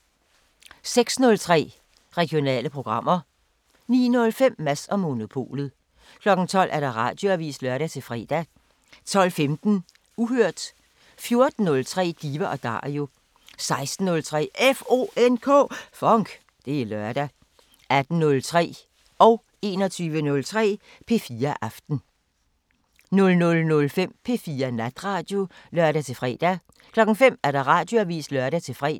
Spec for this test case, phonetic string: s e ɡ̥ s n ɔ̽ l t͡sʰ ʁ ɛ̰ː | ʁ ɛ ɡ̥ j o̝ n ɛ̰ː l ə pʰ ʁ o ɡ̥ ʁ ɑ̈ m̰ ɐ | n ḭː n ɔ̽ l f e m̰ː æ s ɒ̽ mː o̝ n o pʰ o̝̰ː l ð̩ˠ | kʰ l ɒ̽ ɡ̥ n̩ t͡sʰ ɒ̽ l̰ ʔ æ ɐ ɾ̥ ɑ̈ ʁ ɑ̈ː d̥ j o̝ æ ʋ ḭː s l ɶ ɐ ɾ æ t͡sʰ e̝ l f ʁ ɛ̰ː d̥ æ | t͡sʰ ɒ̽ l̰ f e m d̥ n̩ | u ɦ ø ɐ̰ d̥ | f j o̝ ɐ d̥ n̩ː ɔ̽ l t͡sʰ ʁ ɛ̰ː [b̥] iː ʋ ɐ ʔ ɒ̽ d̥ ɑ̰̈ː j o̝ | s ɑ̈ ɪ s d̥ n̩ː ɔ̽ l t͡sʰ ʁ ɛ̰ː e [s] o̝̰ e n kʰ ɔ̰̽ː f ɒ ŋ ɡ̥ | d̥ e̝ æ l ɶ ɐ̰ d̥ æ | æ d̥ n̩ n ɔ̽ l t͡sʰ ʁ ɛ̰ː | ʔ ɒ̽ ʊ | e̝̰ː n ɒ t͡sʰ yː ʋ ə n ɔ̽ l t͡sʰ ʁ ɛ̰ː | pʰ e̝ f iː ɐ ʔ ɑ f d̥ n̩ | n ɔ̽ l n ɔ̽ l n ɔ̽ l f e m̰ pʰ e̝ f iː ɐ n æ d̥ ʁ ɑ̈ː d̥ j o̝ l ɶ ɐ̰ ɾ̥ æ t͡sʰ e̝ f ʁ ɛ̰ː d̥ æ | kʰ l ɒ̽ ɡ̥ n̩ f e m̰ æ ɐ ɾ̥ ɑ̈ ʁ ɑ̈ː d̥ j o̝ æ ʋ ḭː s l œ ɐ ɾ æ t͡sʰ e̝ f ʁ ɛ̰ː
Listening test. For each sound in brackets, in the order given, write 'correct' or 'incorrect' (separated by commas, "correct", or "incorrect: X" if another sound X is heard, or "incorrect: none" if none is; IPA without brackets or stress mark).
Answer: incorrect: d̥, incorrect: f